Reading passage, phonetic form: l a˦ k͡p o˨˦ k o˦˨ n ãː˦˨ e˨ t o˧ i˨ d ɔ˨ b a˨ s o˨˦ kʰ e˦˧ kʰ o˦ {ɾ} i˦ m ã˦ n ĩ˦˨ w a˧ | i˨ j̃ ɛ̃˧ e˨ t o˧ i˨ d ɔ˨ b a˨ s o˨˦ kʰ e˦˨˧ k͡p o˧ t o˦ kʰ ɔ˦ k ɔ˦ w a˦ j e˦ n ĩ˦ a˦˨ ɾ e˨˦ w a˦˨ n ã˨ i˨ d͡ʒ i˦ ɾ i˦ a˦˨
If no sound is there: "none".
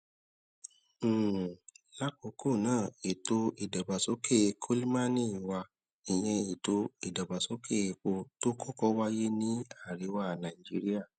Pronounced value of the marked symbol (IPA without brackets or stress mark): l